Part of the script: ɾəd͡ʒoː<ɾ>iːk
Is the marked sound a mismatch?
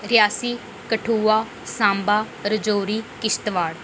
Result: no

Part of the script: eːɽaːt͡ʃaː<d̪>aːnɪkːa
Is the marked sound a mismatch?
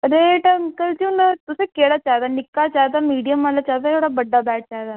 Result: no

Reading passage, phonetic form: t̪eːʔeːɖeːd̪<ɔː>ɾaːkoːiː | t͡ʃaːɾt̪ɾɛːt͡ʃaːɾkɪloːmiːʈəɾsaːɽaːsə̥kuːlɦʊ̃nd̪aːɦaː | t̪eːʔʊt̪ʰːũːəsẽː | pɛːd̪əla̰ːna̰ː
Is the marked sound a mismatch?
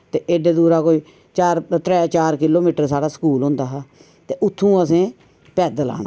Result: yes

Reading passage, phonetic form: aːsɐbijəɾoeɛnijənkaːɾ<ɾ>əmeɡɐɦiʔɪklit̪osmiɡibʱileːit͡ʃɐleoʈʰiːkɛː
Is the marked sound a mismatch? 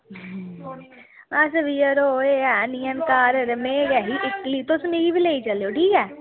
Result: no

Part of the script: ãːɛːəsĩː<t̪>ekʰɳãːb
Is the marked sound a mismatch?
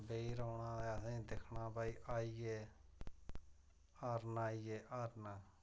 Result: yes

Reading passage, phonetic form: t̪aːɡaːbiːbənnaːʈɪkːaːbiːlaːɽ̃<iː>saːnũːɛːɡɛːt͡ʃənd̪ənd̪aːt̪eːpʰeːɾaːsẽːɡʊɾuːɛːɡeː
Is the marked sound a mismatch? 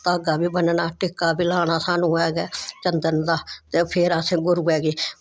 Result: yes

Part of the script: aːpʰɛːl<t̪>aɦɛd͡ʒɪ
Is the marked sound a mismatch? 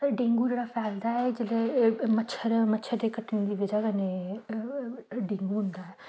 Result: yes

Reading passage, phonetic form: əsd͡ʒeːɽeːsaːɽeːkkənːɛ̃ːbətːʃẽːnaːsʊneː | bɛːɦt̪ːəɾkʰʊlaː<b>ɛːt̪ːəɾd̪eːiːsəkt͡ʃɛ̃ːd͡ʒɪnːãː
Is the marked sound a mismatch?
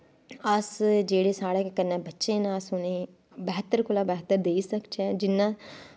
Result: no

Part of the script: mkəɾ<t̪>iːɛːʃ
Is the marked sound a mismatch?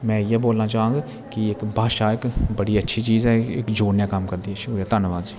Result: yes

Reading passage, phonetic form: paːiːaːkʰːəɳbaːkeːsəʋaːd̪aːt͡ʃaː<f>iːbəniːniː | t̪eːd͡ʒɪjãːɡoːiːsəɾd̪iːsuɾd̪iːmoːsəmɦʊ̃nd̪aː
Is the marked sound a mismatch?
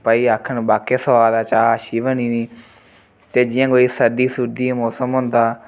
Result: yes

